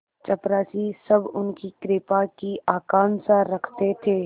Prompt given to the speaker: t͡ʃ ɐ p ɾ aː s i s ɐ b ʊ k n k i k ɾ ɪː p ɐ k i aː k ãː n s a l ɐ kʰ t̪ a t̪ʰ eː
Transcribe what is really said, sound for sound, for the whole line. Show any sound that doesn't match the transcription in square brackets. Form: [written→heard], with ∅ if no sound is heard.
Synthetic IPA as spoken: t͡ʃ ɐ p ɾ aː s i s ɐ b ʊ [k→∅] n k i k ɾ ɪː p [ɐ→a] k i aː k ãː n s a [l→ɾ] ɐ kʰ t̪ [a→e] t̪ʰ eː